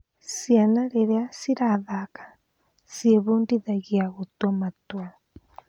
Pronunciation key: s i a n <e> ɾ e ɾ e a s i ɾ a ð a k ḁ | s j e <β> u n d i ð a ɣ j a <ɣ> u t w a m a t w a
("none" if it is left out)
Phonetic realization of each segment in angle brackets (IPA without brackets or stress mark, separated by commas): a, β, ɣ